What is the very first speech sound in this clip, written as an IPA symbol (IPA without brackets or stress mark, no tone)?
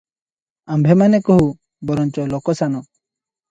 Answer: a